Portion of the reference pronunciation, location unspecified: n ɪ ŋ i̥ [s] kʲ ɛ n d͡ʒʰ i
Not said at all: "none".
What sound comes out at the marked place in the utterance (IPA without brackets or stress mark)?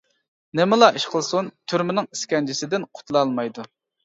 s